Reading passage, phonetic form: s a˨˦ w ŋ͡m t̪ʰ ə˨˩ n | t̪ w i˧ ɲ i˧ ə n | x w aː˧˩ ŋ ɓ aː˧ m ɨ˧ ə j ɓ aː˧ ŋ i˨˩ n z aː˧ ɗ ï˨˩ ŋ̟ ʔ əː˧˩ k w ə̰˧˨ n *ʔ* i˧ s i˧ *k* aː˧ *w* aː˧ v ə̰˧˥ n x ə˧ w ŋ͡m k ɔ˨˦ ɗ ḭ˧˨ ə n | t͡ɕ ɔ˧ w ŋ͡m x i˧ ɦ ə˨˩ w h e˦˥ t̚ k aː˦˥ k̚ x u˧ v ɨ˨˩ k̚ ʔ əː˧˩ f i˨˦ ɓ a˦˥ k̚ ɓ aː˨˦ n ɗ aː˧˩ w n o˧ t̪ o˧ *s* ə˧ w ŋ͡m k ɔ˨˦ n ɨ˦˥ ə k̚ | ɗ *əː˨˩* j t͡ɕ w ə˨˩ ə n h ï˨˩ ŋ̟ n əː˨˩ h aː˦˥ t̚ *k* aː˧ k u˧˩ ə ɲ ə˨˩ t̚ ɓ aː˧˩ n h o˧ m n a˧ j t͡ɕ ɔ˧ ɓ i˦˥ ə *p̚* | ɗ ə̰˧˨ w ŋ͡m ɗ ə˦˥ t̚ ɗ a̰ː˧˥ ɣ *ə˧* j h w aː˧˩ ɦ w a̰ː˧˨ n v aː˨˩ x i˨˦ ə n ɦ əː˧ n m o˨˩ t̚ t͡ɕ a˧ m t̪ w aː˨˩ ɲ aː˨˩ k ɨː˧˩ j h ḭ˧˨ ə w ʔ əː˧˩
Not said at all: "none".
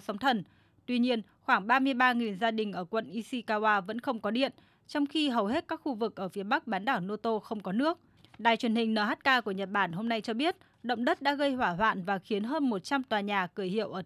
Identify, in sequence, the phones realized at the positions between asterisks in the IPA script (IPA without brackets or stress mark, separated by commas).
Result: ʔ, k, w, x, aː˨˩, k, t̚, ə˧